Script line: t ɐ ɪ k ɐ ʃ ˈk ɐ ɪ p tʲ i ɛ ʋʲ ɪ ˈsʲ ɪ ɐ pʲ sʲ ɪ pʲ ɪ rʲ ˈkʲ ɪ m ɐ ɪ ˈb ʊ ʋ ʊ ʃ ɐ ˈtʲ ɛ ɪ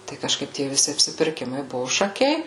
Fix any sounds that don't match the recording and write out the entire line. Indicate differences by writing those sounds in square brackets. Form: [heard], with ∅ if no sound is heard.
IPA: t ɐ ɪ k ɐ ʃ ˈk ɐ ɪ p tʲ i ɛ ʋʲ ɪ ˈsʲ ɪ ɐ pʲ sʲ ɪ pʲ ɪ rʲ ˈkʲ ɪ m ɐ ɪ ˈb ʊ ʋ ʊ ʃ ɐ [ˈkʲ] ɛ ɪ